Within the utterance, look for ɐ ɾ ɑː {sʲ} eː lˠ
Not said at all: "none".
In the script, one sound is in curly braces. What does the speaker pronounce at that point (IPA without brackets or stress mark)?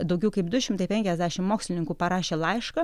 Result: ʃʲ